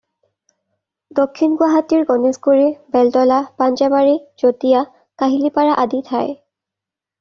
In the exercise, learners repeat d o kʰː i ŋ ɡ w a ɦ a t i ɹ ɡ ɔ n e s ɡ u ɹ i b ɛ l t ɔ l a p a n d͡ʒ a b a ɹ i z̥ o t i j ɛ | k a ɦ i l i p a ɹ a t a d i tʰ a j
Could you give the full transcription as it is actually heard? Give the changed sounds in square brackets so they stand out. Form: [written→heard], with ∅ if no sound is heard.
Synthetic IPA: d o kʰː i [ŋ→n] ɡ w a ɦ a t i ɹ ɡ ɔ n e s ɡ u ɹ i b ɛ l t ɔ l a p a n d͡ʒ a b a ɹ i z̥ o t i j [ɛ→a] | k a ɦ i l i p a ɹ a [t→ʔ] a d i tʰ a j